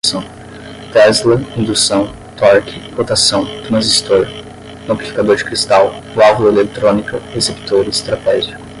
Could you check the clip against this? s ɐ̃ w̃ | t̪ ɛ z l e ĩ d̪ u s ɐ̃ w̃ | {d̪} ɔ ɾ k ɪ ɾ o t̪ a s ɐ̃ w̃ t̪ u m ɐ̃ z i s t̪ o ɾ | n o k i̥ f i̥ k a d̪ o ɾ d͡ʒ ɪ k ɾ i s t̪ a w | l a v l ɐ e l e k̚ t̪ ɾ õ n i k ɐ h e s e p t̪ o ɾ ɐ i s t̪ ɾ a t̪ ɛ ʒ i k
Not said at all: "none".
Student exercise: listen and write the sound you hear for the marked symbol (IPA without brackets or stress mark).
t̪